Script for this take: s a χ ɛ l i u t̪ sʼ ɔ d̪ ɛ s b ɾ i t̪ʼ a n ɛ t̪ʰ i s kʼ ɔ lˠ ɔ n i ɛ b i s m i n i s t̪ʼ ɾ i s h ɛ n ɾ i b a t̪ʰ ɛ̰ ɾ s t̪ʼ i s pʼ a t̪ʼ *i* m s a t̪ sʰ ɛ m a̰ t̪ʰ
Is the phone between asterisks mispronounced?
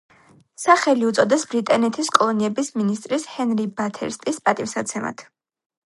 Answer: no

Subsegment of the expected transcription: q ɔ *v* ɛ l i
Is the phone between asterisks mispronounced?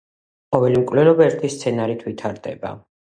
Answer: no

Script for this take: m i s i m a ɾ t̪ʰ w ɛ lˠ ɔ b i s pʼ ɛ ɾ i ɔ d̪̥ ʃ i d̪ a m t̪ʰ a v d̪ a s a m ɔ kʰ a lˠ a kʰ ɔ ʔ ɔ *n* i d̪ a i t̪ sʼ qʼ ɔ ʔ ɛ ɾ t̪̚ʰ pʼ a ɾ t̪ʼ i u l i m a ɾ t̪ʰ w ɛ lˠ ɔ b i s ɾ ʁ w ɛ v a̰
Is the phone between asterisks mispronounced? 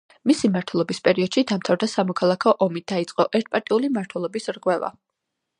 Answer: yes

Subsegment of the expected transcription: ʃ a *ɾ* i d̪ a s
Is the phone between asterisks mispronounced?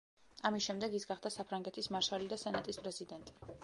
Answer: yes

